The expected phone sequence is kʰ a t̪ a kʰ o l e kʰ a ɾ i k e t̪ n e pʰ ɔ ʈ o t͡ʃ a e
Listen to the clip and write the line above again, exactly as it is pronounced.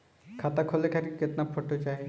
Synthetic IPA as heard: kʰ a t̪ a kʰ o l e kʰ a ɾ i k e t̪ n a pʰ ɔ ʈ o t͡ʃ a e